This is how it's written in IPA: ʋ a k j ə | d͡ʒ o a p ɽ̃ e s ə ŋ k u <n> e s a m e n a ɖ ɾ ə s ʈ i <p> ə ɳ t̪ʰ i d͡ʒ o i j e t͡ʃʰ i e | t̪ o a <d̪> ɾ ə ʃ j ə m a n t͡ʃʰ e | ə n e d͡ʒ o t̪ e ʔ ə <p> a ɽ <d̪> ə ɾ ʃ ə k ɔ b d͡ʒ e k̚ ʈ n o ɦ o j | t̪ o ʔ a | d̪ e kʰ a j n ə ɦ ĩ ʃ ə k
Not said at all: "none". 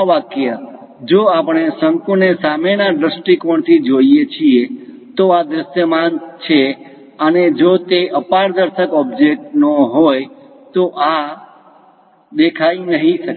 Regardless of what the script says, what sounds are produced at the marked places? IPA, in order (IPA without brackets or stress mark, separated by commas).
n, k, d̪, p, d̪